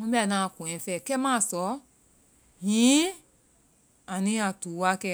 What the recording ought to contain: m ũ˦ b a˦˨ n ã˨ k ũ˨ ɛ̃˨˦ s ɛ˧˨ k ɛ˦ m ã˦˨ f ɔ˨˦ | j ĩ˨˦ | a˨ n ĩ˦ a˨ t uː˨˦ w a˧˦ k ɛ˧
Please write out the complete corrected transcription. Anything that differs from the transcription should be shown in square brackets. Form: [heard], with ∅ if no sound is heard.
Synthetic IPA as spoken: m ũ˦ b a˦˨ n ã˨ k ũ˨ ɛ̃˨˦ [f] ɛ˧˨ k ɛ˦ m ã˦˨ [s] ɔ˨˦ | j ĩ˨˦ | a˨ n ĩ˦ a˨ t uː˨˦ w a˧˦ k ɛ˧